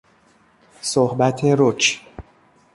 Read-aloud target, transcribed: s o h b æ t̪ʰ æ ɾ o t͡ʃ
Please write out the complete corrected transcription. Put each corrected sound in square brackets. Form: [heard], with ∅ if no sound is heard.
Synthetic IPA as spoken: s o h b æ t̪ʰ [e] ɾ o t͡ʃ